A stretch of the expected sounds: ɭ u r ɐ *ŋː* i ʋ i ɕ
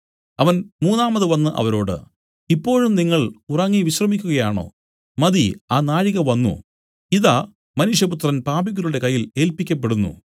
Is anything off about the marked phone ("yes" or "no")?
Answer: no